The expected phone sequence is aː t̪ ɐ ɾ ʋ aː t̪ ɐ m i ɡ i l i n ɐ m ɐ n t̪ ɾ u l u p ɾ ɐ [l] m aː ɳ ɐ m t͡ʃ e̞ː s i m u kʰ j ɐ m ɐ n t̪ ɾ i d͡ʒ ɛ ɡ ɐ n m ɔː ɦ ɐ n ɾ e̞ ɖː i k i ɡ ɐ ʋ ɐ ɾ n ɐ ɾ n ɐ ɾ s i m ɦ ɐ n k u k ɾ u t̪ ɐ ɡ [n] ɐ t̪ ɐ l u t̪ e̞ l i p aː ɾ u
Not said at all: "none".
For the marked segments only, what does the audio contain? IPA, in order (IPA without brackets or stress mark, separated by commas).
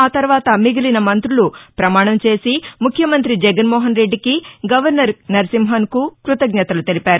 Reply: none, ɲ